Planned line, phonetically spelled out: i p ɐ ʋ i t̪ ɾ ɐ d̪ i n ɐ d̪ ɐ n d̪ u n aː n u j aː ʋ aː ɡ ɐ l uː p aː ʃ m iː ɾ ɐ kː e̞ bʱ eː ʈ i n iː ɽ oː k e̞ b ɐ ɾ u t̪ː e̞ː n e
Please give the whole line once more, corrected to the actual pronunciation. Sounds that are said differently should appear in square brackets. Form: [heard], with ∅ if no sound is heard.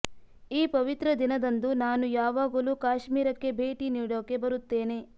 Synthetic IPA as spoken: [iː] p ɐ ʋ i t̪ ɾ ɐ d̪ i n ɐ d̪ ɐ n d̪ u n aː n u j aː ʋ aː ɡ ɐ l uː [k] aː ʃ m iː ɾ ɐ kː e̞ bʱ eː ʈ i n iː ɽ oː k e̞ b ɐ ɾ u t̪ː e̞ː n e